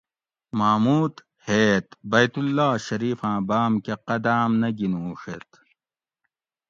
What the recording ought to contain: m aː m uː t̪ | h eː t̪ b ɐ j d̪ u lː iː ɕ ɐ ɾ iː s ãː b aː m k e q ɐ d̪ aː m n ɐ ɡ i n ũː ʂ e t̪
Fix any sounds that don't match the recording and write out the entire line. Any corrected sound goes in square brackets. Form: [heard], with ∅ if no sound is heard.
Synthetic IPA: m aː m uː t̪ | h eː t̪ b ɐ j [t̪] u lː [aː] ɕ ɐ ɾ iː [f] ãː b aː m k e q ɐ d̪ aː m n ɐ ɡ i n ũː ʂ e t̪